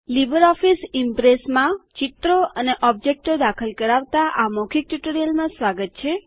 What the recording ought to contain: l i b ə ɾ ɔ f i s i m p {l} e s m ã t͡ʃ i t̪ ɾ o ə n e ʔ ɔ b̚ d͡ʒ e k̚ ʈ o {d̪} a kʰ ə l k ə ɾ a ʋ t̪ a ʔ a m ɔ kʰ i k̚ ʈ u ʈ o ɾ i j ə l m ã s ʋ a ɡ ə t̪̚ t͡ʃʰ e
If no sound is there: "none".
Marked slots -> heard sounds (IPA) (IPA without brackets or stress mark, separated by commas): ɾ, d̪